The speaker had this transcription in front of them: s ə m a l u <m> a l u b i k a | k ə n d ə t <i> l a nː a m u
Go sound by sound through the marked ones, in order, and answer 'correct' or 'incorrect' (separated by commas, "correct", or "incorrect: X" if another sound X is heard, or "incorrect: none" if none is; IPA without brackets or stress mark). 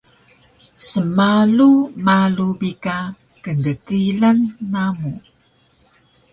correct, correct